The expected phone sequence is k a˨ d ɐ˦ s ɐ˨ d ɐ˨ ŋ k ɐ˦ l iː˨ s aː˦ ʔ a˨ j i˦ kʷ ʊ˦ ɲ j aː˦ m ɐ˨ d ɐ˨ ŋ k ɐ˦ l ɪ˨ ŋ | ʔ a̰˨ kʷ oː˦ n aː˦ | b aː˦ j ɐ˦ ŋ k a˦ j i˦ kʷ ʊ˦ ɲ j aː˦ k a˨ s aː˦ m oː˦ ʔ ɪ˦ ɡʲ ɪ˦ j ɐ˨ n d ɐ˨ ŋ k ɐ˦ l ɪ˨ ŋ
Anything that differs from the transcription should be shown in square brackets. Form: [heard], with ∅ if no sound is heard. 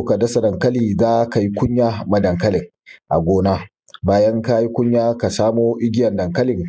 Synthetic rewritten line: k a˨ d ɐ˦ s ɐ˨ d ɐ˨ ŋ k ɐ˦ l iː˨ [z] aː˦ [k] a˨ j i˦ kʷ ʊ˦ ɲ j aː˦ m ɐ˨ d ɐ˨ ŋ k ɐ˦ l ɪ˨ ŋ | ʔ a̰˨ [ɡʷ] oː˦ n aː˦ | b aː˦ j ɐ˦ ŋ k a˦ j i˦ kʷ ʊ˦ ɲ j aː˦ k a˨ s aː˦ m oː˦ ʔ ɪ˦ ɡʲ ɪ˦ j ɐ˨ n d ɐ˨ ŋ k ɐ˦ l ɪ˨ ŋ